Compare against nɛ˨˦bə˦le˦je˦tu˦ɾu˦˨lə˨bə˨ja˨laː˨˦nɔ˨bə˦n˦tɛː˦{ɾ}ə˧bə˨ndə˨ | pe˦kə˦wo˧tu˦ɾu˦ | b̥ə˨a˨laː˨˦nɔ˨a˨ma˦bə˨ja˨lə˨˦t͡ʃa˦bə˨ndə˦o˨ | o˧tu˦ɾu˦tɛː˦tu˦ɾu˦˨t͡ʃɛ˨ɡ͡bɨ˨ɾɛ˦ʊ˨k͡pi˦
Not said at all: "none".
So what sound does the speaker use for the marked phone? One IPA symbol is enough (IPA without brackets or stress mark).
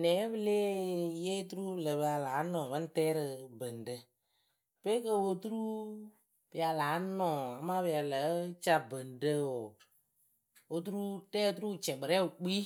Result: ɾ